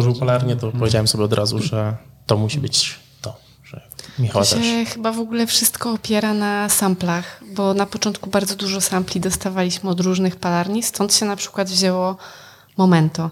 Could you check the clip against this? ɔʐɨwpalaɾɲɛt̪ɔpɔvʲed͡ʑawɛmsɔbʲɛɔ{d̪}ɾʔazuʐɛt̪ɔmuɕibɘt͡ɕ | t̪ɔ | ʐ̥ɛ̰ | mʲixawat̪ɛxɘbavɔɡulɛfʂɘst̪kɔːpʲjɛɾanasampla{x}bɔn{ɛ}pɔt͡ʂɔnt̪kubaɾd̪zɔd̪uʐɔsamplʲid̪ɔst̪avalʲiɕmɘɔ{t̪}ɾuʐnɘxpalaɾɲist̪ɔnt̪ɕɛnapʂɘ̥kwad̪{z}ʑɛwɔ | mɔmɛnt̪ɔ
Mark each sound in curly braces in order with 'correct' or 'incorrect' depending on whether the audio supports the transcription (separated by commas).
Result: correct, correct, incorrect, incorrect, incorrect